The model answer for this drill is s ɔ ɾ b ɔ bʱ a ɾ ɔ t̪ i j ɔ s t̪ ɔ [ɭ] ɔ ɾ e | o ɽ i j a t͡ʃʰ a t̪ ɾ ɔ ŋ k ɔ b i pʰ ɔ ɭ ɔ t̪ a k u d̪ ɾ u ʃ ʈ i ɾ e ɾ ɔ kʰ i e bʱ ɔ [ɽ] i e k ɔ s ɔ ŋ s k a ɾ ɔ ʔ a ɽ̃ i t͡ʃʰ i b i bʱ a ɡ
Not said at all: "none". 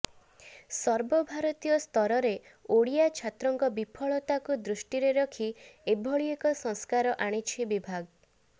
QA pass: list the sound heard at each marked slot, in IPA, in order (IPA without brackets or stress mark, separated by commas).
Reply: ɾ, ɭ